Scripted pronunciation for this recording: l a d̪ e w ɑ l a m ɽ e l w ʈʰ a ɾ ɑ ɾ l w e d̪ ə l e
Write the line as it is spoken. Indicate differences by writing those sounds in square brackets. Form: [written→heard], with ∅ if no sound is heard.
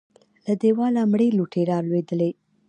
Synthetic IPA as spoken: l a d̪ e w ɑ l a m ɽ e l [w→u] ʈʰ [a→e] ɾ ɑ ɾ l w e d̪ ə l e